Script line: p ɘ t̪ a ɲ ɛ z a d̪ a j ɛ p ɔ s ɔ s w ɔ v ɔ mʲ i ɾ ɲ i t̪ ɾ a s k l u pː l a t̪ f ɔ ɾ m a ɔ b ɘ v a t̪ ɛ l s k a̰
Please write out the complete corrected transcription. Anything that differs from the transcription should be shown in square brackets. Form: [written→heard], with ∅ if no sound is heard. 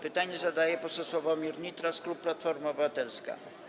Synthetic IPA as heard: p ɘ t̪ a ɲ ɛ z a d̪ a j ɛ p ɔ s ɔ s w ɔ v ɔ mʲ i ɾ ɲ i t̪ ɾ a s k l u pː l a t̪ f ɔ ɾ m a ɔ b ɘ v a t̪ ɛ l s k a̰